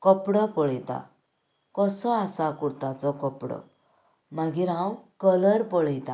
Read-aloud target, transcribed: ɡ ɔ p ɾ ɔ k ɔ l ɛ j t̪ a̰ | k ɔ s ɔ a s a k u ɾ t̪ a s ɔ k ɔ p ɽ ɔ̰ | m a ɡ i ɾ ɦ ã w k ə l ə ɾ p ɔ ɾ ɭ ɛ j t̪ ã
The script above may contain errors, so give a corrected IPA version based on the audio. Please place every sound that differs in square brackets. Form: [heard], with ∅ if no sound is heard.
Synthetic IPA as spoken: [k] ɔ p [ɽ] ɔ [p] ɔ [ɭ] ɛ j t̪ a̰ | k ɔ s ɔ a s a k u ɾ t̪ a [t͡s] ɔ k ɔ p ɽ ɔ̰ | m a ɡ i ɾ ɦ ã w k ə l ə ɾ p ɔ [∅] ɭ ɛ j t̪ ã